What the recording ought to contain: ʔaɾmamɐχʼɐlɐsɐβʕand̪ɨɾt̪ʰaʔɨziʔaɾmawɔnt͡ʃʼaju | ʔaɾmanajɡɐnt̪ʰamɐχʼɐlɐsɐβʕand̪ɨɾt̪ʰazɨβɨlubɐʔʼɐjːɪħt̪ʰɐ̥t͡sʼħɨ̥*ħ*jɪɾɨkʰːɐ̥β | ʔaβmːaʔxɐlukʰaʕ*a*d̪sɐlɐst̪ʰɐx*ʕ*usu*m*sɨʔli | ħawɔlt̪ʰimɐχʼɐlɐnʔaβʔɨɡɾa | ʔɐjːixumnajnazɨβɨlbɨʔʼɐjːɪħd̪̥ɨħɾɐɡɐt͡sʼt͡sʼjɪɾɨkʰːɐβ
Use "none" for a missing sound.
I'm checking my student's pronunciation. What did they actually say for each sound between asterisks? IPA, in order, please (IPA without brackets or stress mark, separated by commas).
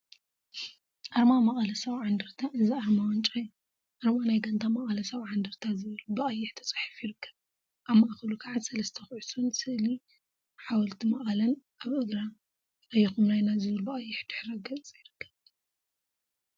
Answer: f, a, ʕ, n